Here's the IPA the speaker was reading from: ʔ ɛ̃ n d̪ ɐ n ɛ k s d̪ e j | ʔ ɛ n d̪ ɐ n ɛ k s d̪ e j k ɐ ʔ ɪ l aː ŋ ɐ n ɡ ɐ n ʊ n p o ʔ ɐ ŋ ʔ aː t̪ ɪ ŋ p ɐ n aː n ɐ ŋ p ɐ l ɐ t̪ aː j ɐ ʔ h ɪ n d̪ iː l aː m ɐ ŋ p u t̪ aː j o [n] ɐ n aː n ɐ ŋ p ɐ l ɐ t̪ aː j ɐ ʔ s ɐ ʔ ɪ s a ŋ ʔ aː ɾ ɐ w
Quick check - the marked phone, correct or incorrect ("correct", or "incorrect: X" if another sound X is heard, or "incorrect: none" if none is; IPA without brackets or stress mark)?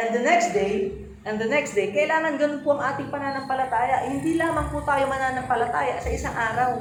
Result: incorrect: m